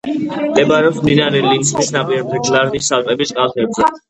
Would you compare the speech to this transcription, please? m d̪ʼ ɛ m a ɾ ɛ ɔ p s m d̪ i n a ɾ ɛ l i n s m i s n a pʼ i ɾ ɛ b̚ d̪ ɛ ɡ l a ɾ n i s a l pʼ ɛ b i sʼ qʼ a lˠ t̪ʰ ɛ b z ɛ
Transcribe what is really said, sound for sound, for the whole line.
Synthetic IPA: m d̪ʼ ɛ b a ɾ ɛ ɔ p s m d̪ i n a ɾ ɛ l i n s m i s n a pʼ i ɾ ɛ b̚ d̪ ɛ ɡ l a ɾ n i s a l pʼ ɛ b i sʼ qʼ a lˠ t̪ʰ ɛ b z ɛ

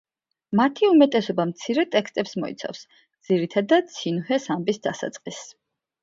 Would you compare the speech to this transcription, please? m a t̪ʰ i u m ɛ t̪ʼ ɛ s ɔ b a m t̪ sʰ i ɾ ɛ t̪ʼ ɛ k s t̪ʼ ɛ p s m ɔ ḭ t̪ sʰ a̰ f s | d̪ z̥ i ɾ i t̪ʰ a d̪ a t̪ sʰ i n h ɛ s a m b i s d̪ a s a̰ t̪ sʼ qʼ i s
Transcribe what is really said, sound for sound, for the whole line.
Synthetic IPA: m a t̪ʰ i u m ɛ t̪ʼ ɛ s ɔ b a m t̪ sʰ i ɾ ɛ t̪ʼ ɛ k s t̪ʼ ɛ p s m ɔ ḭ t̪ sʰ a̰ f s | d̪ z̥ i ɾ i t̪ʰ a d̪ a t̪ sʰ i n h ɛ s a m b i s d̪ a s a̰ t̪ sʼ qʼ i s

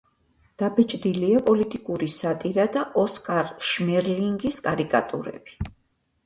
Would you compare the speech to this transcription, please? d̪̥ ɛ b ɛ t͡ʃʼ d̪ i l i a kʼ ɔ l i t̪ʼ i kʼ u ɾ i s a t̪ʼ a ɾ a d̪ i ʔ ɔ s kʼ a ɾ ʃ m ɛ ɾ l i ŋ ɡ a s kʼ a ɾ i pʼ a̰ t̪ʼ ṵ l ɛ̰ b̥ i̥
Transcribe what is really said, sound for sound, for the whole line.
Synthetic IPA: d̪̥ a b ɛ t͡ʃʼ d̪ i l i a pʼ ɔ l i t̪ʼ i kʼ u ɾ i s a t̪ʼ i ɾ a d̪ a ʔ ɔ s kʼ a ɾ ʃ m ɛ ɾ l i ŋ ɡ i s kʼ a ɾ i kʼ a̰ t̪ʼ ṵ ɾ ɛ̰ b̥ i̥

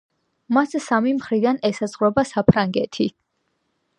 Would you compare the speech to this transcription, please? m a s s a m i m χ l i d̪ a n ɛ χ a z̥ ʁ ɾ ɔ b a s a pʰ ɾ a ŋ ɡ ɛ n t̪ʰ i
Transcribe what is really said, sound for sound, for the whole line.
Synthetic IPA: m a s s a m i m χ ɾ i d̪ a n ɛ s a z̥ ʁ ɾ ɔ b a s a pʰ ɾ a ŋ ɡ ɛ t̪ʰ i

